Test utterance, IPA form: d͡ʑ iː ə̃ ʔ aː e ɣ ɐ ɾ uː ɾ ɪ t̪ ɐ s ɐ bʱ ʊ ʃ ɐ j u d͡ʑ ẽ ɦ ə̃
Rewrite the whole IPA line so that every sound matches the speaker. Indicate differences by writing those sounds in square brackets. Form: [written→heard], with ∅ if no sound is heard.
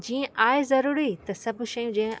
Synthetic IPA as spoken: d͡ʑ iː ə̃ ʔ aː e [ɣ→z] ɐ ɾ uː ɾ [ɪ→i] t̪ ɐ s ɐ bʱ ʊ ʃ ɐ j [u→ũ] d͡ʑ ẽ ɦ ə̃